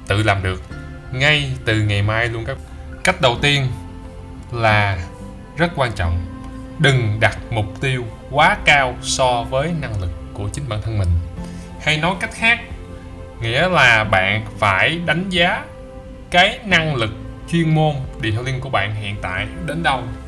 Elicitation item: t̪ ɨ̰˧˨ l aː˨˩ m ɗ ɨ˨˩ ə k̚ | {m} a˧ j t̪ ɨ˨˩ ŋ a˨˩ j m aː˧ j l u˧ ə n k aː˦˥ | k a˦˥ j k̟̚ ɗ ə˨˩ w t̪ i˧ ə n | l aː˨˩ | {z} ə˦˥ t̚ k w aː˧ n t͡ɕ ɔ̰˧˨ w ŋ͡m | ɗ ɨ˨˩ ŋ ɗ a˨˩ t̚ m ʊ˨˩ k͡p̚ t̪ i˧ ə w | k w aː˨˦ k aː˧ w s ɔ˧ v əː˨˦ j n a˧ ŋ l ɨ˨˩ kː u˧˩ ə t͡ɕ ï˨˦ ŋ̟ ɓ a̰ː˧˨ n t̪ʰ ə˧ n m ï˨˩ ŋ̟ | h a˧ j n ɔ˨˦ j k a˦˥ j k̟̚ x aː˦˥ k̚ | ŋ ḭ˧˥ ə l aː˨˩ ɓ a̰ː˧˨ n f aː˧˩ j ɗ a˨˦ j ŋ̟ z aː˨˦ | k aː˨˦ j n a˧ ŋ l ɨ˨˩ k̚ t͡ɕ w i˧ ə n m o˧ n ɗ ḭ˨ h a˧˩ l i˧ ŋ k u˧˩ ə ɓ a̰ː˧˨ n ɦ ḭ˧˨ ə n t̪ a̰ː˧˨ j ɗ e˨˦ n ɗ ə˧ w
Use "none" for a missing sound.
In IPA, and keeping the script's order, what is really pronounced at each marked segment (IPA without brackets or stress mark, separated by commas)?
ŋ, z